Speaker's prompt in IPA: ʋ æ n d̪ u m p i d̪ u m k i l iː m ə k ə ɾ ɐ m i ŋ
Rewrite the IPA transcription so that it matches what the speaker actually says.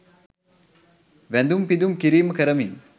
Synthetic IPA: ʋ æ n d̪ u m p i d̪ u m k i ɾ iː m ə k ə ɾ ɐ m i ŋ